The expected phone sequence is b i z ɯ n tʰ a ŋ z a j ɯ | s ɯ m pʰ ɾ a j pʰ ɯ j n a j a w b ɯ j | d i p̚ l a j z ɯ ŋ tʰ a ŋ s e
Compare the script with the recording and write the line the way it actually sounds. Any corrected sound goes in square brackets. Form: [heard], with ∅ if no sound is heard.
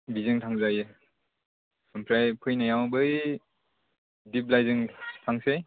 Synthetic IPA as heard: b i z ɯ [ŋ] tʰ a ŋ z a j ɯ | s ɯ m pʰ ɾ a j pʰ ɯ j n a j a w b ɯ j | d i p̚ l a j z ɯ ŋ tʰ a ŋ s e